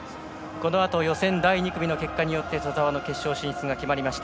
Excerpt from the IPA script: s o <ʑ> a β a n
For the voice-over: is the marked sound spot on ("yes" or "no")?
no